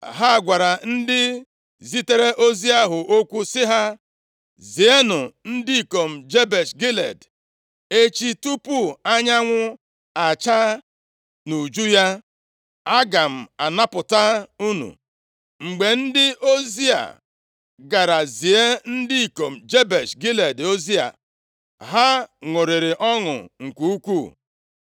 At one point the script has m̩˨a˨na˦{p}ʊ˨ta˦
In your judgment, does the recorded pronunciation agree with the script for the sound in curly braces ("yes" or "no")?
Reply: yes